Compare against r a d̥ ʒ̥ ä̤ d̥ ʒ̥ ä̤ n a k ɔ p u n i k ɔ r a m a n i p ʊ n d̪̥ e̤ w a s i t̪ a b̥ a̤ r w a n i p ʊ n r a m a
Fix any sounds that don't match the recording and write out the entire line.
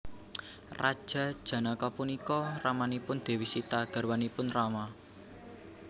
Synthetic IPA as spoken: r a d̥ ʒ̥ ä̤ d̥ ʒ̥ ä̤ n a k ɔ p u n i k ɔ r a m a n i p ʊ n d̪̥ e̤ w i s i t̪ a ɡ̥ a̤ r w a n i p ʊ n r a m a